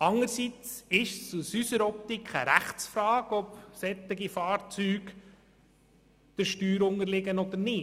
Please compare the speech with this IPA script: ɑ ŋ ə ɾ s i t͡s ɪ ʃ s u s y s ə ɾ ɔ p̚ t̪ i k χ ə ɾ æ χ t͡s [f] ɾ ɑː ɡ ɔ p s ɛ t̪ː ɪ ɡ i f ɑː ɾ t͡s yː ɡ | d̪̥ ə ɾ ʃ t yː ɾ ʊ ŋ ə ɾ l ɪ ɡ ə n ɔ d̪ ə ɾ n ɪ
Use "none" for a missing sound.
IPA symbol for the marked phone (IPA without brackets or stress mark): f